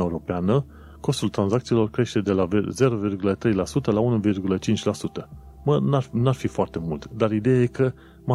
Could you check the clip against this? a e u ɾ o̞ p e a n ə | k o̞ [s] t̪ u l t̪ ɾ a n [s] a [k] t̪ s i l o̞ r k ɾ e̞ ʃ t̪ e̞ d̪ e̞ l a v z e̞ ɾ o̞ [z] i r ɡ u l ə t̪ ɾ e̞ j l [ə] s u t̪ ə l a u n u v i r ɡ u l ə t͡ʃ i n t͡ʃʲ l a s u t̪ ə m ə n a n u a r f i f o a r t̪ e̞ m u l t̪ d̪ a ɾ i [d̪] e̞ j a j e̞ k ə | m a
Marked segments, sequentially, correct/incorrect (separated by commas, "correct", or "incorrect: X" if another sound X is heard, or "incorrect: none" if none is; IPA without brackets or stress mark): correct, incorrect: z, correct, incorrect: v, incorrect: a, correct